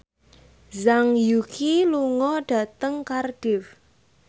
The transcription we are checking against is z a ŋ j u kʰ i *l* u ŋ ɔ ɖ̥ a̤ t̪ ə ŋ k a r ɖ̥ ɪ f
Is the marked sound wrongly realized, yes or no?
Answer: no